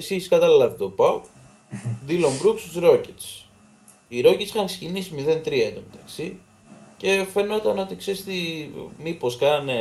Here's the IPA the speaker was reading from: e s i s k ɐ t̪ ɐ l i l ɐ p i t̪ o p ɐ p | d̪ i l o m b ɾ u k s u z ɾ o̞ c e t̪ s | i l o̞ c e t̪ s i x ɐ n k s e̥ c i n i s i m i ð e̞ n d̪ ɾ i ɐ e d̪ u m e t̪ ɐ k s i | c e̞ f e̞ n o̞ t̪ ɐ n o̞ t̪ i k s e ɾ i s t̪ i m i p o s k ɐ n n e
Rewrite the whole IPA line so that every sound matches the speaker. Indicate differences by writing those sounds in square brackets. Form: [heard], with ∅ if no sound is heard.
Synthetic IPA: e s i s k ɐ t̪ ɐ l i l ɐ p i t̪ o p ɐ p | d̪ i l o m b ɾ u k s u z ɾ o̞ c e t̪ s | i [ɾ] o̞ c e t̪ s i x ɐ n k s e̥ c i n i s i m i ð e̞ n [t̪] ɾ i ɐ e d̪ [o] m e t̪ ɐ k s i | c e̞ f e̞ n o̞ t̪ ɐ n o̞ t̪ i k s e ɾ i s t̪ i m i p o s k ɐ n n e